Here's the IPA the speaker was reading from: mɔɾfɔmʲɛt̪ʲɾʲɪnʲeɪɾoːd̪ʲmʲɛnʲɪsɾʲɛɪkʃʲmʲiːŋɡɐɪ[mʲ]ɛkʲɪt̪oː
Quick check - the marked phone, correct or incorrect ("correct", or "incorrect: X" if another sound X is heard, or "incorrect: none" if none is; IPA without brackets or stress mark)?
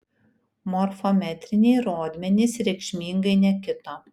incorrect: nʲ